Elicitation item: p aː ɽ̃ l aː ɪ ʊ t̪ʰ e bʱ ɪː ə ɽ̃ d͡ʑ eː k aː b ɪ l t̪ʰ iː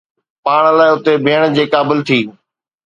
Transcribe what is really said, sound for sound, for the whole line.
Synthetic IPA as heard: p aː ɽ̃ l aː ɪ ʊ t̪ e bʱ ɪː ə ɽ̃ d͡ʑ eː k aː b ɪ l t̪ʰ iː

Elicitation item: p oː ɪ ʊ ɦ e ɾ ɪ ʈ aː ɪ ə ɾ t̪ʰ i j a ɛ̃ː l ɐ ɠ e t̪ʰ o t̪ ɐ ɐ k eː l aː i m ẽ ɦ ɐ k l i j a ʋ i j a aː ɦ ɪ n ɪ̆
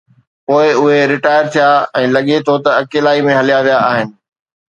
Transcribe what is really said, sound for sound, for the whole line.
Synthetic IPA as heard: p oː ɪ ʊ ɦ e ɾ ɪ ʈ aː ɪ ə ɾ t̪ʰ i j a ɛ̃ː l ɐ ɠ e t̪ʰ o t̪ ɐ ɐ k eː l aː i m ẽ ɦ ɐ l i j a ʋ i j a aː ɦ ɪ n ɪ̆

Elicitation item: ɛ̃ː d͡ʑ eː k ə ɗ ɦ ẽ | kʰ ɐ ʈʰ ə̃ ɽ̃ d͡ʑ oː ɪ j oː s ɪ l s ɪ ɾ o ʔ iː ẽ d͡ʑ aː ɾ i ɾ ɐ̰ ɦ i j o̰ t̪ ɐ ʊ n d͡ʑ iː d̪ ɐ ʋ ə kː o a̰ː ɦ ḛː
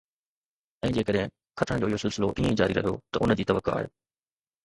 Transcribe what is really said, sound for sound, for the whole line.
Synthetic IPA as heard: ɛ̃ː d͡ʑ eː k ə ɗ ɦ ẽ | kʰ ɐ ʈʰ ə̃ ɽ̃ d͡ʑ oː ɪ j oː s ɪ l s ɪ l o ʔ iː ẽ d͡ʑ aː ɾ i ɾ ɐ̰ ɦ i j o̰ t̪ ɐ ʊ n d͡ʑ iː t̪ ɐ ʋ ə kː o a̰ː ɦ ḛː

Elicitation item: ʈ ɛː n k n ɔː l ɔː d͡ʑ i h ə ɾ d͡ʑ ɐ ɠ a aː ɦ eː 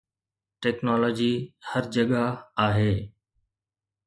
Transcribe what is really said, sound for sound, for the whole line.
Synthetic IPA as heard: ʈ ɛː k n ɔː l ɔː d͡ʑ i h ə ɾ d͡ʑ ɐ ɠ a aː ɦ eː

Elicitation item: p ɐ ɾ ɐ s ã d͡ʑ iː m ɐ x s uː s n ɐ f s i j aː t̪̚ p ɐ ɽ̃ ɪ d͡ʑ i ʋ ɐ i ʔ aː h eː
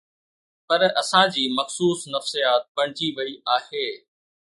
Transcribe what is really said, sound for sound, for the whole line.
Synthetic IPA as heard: p ɐ ɾ ɐ s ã d͡ʑ iː m ɐ x s uː s n ɐ f s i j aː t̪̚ p ɐ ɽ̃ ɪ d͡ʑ i ʋ ɐ i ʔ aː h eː

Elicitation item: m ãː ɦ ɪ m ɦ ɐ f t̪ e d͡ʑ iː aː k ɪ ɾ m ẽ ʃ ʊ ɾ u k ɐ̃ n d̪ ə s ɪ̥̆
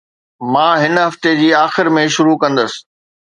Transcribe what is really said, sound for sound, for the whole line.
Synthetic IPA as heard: m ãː ɦ ɪ n ɦ ɐ f t̪ e d͡ʑ iː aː x ɪ ɾ m ẽ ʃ ʊ ɾ u k ɐ̃ n d̪ ə s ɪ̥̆

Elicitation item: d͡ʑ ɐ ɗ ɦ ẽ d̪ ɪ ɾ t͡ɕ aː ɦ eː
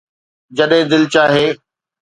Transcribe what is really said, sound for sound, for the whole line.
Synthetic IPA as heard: d͡ʑ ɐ ɗ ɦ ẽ d̪ ɪ l t͡ɕ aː ɦ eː

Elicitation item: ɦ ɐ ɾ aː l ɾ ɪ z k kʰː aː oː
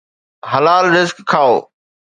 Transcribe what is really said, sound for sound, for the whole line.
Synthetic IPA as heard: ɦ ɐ l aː l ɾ ɪ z k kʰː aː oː

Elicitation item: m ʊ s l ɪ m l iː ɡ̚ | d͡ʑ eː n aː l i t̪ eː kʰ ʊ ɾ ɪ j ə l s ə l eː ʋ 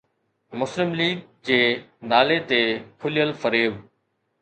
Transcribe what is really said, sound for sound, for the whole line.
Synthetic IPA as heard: m ʊ s l ɪ m l iː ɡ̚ | d͡ʑ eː n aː l e t̪ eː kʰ ʊ l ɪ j ə l f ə ɾ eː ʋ

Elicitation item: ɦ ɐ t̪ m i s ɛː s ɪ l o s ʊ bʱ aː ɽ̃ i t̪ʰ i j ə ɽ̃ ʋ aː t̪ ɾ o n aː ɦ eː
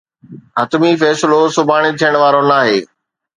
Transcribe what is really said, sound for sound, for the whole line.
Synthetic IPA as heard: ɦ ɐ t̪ m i f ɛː s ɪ l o s ʊ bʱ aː ɽ̃ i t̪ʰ i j ə ɽ̃ ʋ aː ɾ o n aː ɦ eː

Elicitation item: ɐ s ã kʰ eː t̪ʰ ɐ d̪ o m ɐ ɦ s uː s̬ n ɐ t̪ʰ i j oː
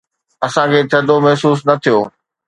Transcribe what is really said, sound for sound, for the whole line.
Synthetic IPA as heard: ɐ s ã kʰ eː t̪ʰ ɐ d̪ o m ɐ ɦ s uː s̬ n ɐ t̪ʰ i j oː

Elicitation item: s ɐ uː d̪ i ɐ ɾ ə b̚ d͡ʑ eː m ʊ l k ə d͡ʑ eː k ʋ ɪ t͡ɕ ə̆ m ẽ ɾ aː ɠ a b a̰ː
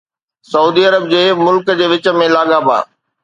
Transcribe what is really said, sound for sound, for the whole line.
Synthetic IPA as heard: s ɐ uː d̪ i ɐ ɾ ə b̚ d͡ʑ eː m ʊ l k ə d͡ʑ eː ʋ ɪ t͡ɕ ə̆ m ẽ l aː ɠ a b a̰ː

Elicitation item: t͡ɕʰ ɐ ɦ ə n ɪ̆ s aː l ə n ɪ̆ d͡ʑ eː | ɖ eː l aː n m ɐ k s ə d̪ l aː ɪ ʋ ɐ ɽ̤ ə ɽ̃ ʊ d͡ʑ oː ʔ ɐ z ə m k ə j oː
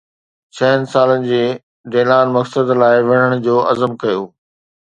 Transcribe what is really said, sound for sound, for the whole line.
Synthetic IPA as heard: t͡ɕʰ ɐ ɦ ə n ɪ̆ s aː l ə n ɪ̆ d͡ʑ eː | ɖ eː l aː n m ɐ k s ə d̪ l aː ɪ ʋ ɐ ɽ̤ ə ɽ̃ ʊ d͡ʑ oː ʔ ɐ z ə m k ɐ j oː

